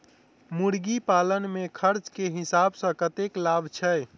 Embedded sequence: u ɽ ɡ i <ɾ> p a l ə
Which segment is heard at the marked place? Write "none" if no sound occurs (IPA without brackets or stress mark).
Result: none